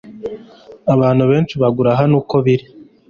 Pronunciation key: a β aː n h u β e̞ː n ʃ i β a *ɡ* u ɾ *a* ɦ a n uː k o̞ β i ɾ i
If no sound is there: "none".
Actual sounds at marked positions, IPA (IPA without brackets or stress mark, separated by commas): ɡ, a